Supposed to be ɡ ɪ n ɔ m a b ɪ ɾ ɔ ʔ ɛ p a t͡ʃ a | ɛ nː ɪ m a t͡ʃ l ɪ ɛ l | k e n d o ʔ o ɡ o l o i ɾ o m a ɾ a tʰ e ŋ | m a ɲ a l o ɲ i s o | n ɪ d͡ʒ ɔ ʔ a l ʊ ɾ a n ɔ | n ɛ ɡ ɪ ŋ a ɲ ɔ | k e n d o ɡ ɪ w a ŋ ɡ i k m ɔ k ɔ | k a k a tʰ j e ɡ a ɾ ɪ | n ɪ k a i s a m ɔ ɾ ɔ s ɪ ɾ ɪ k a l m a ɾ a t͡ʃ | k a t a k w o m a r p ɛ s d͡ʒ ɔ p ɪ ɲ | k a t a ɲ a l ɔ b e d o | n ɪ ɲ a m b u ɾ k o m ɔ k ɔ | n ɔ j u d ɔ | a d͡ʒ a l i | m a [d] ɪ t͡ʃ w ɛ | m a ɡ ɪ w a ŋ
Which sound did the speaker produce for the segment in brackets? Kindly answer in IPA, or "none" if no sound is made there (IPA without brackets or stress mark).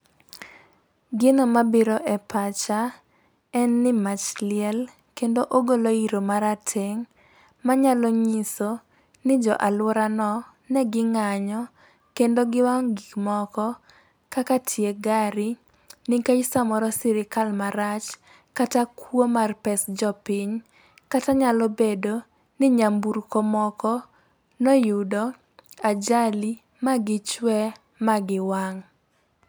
ɡ